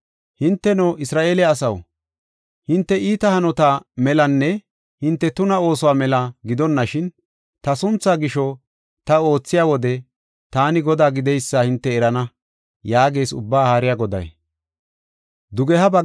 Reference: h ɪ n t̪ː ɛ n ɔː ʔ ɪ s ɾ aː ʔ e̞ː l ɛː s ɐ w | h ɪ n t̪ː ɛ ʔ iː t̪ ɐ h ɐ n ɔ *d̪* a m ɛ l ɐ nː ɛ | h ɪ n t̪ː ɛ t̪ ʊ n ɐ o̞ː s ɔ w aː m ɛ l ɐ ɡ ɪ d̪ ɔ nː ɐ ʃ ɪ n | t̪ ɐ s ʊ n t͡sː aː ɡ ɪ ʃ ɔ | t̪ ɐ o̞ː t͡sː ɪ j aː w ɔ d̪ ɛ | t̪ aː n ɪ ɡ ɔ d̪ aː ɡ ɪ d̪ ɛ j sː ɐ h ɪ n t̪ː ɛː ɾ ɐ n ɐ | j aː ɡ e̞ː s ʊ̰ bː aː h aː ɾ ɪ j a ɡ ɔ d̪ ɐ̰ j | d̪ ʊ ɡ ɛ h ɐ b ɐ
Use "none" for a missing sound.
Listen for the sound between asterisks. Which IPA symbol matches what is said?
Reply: t̪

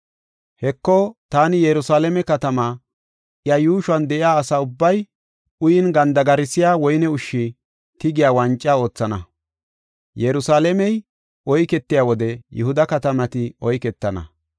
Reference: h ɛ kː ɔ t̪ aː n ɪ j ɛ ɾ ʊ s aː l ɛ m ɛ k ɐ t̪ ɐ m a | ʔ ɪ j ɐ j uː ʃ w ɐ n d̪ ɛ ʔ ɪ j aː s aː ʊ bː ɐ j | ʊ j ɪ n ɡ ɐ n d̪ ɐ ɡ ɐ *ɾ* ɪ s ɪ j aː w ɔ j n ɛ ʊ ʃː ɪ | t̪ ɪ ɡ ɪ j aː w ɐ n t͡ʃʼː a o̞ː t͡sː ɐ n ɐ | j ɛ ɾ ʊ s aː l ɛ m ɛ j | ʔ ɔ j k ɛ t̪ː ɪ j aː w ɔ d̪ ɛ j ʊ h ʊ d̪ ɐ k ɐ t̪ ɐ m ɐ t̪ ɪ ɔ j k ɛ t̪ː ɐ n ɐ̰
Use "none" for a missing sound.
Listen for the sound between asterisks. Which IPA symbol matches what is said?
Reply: ɾ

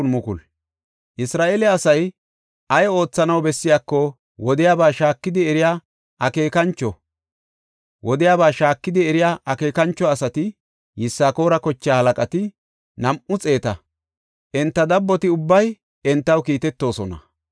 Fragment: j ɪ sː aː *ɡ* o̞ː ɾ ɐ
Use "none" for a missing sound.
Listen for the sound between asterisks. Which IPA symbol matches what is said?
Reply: k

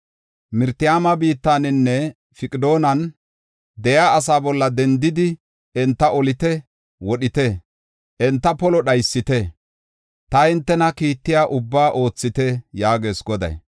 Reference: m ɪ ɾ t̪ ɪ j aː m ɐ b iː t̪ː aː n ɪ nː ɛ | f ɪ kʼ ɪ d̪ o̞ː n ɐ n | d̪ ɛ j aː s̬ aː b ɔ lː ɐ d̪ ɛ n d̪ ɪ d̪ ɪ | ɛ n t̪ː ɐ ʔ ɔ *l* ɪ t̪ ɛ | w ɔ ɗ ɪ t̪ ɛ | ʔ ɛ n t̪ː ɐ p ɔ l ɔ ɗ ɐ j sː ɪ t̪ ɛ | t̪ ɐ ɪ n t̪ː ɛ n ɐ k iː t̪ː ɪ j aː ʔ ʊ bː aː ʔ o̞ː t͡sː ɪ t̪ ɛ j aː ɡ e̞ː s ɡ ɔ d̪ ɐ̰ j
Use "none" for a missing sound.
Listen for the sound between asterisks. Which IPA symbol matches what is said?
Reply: l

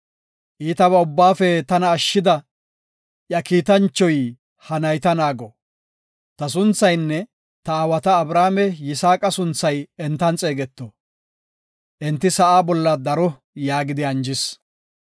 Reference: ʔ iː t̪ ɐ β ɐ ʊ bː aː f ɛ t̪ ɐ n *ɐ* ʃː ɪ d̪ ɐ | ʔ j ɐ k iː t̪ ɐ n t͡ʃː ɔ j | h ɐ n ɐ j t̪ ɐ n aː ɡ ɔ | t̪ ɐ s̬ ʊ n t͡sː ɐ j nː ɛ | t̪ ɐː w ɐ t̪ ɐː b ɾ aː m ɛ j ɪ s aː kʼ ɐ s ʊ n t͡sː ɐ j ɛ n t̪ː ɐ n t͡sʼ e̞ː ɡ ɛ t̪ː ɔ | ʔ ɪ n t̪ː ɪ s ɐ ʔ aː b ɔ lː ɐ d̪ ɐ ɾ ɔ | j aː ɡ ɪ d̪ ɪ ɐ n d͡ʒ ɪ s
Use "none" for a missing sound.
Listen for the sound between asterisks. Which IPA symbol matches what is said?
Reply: ɐː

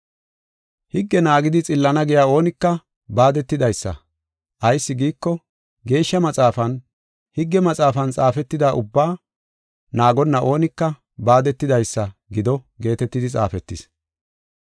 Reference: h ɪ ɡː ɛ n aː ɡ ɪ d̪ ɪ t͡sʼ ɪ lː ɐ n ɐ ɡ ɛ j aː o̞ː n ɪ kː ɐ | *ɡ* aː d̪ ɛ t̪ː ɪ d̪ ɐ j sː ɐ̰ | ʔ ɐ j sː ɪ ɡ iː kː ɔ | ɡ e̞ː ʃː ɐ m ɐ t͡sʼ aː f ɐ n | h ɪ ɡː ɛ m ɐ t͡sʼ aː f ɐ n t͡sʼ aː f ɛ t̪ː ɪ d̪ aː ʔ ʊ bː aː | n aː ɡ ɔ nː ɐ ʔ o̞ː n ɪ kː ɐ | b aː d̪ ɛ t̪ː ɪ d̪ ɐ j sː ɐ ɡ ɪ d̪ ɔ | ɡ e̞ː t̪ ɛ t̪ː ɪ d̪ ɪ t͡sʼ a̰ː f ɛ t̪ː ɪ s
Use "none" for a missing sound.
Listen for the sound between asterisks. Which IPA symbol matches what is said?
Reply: b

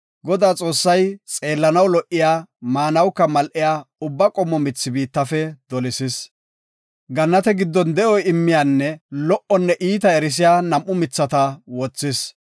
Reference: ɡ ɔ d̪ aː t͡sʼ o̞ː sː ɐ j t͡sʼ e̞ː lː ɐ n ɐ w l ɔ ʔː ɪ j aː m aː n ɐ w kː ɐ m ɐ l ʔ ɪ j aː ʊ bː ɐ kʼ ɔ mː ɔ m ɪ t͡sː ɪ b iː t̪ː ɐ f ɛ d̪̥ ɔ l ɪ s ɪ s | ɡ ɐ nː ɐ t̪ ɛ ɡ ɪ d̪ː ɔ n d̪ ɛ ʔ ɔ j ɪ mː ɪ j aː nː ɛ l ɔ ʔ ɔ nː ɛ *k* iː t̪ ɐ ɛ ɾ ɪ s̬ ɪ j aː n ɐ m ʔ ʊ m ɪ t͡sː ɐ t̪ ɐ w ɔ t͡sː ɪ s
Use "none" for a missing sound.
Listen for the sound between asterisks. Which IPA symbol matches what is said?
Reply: ʔ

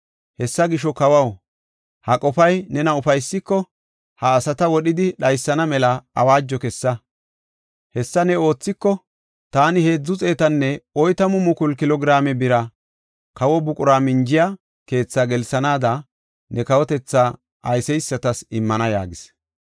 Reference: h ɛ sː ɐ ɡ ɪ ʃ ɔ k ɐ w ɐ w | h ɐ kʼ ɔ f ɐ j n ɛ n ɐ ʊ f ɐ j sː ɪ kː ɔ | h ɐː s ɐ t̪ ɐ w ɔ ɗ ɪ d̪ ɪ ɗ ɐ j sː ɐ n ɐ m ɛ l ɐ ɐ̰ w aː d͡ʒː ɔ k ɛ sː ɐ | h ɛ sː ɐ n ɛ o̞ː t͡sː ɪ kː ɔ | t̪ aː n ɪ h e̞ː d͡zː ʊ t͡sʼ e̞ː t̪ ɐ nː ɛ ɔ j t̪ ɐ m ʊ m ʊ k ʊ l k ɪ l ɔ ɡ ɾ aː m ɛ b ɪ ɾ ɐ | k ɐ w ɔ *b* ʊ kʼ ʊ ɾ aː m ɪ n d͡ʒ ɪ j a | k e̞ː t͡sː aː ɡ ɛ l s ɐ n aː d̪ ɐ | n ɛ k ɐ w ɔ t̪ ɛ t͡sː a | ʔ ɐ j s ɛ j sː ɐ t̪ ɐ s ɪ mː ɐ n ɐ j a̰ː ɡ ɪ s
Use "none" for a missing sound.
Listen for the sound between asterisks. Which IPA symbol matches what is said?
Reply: b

